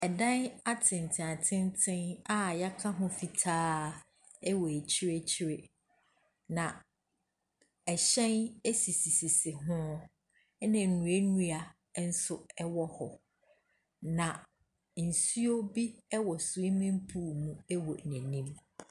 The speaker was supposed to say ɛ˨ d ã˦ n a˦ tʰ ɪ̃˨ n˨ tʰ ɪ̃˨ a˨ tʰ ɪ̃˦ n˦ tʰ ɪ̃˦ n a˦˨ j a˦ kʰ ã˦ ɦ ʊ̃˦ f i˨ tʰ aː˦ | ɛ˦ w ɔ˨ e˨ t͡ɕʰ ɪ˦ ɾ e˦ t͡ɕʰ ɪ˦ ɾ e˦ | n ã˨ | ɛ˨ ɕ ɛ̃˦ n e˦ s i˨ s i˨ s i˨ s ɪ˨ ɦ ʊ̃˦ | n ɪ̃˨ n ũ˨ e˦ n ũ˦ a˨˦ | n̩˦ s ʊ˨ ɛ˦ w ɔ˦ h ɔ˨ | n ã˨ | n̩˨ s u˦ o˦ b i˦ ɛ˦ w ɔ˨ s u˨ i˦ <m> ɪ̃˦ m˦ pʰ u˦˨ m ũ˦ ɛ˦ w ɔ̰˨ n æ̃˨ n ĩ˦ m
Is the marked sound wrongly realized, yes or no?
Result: no